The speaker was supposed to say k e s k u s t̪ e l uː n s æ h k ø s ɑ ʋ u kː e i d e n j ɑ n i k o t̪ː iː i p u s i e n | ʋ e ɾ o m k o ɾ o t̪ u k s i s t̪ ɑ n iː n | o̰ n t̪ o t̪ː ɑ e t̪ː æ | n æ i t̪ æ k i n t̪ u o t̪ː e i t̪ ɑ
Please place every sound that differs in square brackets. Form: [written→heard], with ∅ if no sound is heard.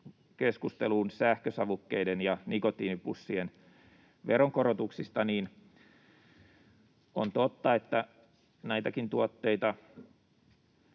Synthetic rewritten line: k e s k u s t̪ e l uː n s æ h k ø s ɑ ʋ u kː e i d e n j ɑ n i k o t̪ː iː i p u [s→sː] i e n | ʋ e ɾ o [m→ŋ] k o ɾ o t̪ u k s i s t̪ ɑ n iː n | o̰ n t̪ o t̪ː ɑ e t̪ː æ | n æ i t̪ æ k i n t̪ u o t̪ː e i t̪ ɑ